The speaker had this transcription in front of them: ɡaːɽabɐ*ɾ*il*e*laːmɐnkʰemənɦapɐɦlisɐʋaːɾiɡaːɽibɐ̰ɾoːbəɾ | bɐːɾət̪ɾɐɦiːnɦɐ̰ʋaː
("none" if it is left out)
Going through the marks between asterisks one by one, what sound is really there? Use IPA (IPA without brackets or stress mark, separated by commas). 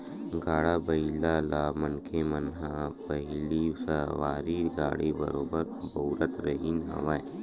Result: none, a